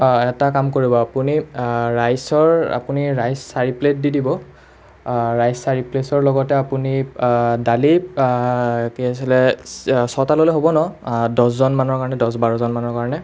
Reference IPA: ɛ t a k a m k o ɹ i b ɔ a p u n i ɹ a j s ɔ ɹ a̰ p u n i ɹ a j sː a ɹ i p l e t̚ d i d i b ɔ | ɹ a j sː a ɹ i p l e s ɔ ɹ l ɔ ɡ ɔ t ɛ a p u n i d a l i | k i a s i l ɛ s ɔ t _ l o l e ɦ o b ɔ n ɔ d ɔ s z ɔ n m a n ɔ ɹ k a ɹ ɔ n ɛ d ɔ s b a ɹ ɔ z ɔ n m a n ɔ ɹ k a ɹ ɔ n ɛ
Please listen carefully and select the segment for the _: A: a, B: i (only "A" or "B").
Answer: A